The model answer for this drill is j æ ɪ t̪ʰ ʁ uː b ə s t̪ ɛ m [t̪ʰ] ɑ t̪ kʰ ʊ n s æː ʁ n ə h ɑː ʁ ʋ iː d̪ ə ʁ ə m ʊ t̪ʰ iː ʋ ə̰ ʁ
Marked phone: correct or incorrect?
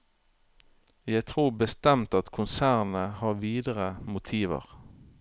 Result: incorrect